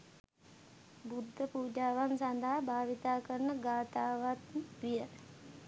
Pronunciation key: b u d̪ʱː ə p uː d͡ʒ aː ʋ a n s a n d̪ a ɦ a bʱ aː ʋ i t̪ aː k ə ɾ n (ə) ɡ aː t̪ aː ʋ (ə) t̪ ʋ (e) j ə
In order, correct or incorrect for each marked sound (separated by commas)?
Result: correct, incorrect, incorrect